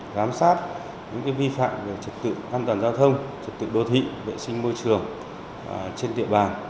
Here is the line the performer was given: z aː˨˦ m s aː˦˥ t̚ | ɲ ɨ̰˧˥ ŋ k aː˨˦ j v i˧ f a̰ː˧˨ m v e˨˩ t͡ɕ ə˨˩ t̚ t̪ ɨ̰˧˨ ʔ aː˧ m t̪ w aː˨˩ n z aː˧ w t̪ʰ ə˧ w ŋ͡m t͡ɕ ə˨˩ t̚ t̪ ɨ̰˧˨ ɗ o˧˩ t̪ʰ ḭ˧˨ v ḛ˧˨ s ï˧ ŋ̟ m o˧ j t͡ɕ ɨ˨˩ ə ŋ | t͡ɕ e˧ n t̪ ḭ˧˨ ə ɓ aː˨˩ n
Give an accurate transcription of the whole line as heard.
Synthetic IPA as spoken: z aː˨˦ m s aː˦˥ t̚ | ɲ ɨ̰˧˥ ŋ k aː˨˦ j v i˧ f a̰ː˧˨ m v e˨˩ t͡ɕ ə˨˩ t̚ t̪ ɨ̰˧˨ ʔ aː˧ n t̪ w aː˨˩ n z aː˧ w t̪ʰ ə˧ w ŋ͡m t͡ɕ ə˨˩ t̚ t̪ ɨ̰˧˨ ɗ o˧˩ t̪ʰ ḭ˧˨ v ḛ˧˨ s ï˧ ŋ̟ m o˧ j t͡ɕ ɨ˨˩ ə ŋ | t͡ɕ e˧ n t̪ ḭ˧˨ ə ɓ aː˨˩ n